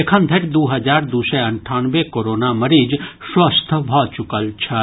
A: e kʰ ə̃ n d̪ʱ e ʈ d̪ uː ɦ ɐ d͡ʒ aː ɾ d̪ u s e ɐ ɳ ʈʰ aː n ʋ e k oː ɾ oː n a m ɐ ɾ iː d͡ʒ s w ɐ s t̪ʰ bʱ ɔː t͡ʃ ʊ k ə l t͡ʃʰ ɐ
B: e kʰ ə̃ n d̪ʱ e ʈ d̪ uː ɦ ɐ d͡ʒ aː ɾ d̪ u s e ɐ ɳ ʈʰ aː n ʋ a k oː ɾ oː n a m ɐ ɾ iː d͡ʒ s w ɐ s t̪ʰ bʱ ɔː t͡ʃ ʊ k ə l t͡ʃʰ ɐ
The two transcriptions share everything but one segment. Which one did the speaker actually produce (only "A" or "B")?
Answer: A